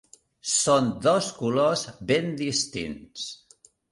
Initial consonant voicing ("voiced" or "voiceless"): voiceless